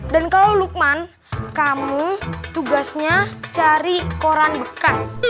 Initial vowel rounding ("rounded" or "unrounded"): unrounded